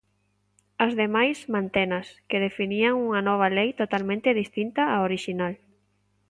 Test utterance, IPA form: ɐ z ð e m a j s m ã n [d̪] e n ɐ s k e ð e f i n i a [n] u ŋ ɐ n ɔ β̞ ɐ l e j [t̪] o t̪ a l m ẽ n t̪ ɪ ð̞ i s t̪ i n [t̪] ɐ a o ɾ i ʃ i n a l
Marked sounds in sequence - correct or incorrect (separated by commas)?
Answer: incorrect, incorrect, correct, correct